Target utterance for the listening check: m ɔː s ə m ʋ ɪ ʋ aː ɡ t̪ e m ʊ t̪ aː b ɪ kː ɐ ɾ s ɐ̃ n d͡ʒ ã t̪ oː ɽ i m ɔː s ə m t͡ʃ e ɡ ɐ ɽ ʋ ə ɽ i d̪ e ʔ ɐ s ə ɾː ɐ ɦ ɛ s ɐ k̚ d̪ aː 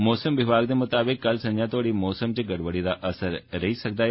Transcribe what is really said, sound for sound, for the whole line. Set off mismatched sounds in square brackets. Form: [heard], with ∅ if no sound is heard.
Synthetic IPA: m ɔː s ə m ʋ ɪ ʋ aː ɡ [d̪] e m ʊ t̪ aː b ɪ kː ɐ [l] s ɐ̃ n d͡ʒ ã t̪ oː ɽ i m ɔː s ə m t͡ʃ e ɡ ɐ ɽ ʋ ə ɽ i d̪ [a] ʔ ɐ s ə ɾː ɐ ɦ [i] s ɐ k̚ d̪ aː